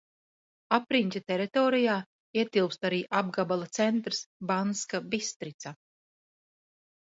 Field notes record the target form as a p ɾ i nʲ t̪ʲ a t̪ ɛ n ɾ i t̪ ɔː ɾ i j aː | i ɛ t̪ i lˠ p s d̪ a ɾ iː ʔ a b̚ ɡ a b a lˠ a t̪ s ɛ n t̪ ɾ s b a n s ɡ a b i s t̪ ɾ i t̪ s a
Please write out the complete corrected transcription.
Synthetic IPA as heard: a p ɾ i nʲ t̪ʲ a t̪ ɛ ɾ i t̪ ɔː ɾ i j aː | i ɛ t̪ i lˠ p s t̪ a ɾ iː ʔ a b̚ ɡ a b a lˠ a t̪ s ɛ n t̪ ɾ s b a n s k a b i s t̪ ɾ i t̪ s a